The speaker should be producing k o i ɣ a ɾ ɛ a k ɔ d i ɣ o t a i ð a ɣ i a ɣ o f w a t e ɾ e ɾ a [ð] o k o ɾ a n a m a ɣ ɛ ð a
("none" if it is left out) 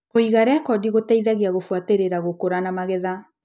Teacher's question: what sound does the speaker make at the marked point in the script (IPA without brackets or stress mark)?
ɣ